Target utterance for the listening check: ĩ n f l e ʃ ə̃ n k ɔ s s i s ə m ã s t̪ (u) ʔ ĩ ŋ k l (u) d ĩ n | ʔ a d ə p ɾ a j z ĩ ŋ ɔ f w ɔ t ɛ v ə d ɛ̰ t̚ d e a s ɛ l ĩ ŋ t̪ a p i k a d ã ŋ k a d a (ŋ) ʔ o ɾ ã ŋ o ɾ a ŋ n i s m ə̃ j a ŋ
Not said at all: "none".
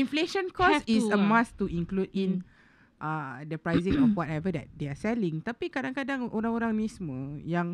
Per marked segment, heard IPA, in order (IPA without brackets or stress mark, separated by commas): u, u, ŋ